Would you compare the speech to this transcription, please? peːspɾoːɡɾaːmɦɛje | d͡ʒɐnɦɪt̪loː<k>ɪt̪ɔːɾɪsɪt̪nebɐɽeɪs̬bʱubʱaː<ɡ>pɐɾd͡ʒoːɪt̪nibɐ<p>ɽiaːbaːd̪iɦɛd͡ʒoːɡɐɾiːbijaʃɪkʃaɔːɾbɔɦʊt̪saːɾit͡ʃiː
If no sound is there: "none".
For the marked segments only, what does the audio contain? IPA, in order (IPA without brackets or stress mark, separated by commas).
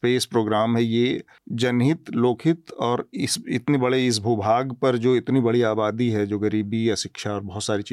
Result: kʰ, ɡ, none